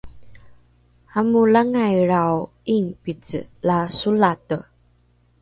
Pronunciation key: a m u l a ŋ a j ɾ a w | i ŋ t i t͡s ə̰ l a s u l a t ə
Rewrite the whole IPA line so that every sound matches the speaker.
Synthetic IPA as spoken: a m u l a ŋ a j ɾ a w | i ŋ p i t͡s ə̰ l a s u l a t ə